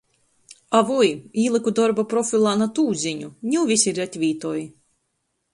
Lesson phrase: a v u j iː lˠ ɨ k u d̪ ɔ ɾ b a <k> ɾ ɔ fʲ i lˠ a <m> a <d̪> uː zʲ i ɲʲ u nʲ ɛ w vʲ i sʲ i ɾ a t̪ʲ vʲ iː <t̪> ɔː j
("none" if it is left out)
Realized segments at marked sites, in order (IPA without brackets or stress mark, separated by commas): p, n, t̪, t̪